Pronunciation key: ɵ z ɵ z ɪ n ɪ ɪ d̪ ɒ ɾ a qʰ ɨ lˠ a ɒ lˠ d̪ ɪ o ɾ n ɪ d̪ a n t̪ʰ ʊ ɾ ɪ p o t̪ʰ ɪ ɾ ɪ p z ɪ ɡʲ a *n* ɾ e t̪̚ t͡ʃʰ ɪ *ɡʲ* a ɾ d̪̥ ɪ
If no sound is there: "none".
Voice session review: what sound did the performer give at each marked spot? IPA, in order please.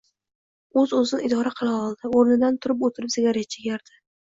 none, ɡʲ

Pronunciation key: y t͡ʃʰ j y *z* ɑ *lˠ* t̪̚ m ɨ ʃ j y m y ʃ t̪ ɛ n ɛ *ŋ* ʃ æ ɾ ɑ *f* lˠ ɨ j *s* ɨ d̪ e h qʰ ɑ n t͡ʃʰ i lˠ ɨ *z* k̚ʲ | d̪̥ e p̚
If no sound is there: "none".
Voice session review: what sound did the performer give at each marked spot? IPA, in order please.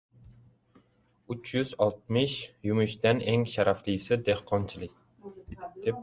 z, lˠ, ŋ, f, s, none

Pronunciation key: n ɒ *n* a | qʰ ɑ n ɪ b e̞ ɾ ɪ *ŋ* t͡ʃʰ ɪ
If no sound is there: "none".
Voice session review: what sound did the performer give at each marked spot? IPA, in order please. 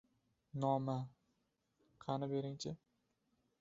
m, ŋ

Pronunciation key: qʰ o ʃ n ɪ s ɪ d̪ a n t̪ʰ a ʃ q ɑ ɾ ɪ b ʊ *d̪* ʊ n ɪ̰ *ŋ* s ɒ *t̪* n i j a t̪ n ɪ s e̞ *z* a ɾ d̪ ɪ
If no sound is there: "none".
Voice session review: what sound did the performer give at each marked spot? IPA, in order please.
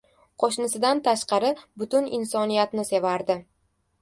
t̪, n, none, v

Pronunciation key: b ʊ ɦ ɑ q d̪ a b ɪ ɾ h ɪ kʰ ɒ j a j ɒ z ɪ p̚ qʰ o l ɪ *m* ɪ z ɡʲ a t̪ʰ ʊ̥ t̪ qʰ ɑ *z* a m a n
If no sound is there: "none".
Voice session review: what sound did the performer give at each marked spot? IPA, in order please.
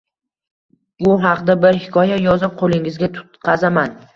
ŋ, z

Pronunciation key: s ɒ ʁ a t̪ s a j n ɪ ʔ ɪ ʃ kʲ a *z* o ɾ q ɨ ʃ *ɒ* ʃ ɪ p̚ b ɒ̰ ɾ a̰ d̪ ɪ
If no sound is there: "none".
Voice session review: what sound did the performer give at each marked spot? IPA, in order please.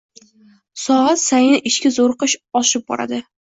z, ɒ

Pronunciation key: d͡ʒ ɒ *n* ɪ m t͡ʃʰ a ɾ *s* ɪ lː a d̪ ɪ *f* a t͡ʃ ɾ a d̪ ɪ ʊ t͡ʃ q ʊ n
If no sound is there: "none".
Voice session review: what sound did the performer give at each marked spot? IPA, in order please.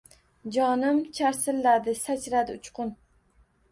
n, s, s

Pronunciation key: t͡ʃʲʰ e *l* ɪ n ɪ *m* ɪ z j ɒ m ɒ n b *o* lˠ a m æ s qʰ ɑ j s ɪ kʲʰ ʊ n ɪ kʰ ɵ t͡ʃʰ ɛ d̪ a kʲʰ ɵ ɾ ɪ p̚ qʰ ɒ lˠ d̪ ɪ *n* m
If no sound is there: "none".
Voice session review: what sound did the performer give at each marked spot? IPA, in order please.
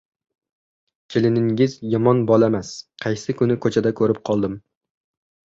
l, ŋ, ɒ, none

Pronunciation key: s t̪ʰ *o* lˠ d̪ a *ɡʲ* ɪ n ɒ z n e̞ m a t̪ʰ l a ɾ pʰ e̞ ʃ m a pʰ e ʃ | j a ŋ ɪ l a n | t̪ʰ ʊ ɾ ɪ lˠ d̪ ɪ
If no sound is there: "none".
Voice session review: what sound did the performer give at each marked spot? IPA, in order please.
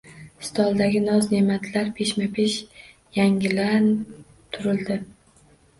ɒ, ɡʲ

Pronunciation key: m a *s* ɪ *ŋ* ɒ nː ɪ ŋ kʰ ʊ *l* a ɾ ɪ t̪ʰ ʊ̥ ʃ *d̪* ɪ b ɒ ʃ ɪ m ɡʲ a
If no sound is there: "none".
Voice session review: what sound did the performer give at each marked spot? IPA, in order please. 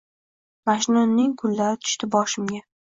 ʃ, n, lː, t̪

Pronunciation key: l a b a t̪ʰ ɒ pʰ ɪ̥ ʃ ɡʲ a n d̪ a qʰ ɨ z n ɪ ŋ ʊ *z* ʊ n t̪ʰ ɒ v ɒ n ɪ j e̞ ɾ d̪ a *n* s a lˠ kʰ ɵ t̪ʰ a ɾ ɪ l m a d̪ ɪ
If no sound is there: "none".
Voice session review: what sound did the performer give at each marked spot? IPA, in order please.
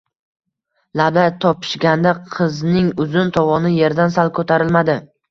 z, n

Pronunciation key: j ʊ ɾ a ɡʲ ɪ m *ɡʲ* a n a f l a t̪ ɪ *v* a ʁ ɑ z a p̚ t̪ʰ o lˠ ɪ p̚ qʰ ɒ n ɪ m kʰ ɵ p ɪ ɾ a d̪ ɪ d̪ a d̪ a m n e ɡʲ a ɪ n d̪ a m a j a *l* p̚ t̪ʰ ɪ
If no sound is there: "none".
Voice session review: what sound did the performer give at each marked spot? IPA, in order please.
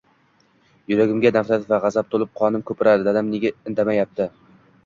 ɡʲ, v, none

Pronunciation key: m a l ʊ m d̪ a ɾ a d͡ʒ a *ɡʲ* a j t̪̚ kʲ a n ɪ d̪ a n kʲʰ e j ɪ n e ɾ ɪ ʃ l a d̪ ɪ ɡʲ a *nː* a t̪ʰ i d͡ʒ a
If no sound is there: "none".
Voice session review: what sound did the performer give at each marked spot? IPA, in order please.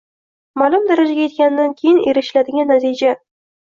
ɡʲ, nː

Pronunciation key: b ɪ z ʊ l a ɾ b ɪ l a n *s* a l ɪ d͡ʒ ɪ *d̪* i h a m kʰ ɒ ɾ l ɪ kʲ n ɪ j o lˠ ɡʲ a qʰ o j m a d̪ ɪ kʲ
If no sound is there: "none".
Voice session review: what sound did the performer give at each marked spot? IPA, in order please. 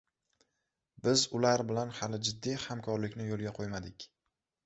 h, d̪ː

